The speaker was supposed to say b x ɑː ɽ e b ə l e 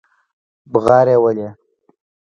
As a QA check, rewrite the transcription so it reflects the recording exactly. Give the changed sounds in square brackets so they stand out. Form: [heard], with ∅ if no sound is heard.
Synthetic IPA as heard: b [ɣ] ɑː [ɾ] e [w] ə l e

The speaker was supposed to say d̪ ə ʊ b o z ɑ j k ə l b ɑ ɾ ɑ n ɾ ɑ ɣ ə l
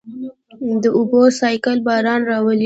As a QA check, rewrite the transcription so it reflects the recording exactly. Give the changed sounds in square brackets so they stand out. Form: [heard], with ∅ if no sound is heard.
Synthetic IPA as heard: d̪ ə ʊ b o [s] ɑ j k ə l b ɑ ɾ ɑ n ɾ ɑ [w] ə l

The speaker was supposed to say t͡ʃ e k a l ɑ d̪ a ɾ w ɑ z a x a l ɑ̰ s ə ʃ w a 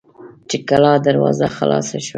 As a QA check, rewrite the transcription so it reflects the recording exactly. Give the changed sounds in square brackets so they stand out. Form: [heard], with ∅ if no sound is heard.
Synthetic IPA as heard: t͡ʃ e k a l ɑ d̪ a ɾ w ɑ z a x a l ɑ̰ s [a] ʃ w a

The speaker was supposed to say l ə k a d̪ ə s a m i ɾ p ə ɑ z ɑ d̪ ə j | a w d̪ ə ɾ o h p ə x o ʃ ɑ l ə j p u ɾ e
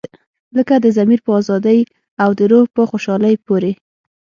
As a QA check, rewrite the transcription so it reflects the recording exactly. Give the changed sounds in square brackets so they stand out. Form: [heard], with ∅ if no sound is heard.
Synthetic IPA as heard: l ə k a d̪ ə [z] a m i ɾ p ə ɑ z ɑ d̪ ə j | a w d̪ ə ɾ o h p ə x o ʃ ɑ l ə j p [o] ɾ e

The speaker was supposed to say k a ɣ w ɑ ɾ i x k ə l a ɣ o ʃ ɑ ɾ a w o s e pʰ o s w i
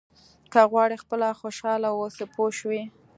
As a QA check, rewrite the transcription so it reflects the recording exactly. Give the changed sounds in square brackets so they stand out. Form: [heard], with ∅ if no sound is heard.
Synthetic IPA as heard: k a ɣ w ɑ [ɽ] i x [p] ə l a [x] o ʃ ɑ [l] a w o s e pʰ o [ʃ] w i

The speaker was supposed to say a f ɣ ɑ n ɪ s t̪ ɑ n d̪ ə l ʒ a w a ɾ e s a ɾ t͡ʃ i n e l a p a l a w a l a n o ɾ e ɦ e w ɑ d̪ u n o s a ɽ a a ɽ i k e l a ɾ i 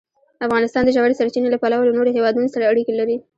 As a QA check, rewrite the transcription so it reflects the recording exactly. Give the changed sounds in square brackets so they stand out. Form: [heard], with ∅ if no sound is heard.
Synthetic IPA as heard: a f ɣ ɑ n ɪ s t̪ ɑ n d̪ ə [∅] ʒ a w a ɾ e s a ɾ t͡ʃ i n e l a p a l a w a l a n o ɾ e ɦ e w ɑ d̪ u n o s a ɽ a a ɽ i k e l a ɾ i

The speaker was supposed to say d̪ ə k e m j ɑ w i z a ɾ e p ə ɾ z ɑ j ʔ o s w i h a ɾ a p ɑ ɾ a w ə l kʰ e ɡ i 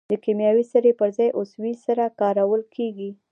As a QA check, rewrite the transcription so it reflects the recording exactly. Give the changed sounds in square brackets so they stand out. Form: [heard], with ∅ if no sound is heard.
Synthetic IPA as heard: d̪ ə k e m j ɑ w i [s] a ɾ e p ə ɾ z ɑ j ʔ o s w i [s] a ɾ a [k] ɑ ɾ a w ə l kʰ e ɡ i

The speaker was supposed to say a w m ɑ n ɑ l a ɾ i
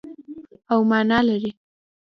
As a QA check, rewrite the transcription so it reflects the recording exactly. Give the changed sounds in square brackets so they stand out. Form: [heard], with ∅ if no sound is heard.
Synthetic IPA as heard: a w m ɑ n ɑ l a ɾ i

